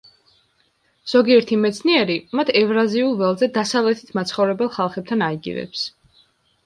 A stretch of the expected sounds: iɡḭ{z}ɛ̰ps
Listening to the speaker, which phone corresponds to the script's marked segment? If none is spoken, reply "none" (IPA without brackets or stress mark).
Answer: v